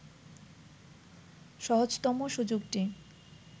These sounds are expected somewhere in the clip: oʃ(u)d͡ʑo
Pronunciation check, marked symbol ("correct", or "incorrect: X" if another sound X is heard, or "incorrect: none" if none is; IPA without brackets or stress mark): correct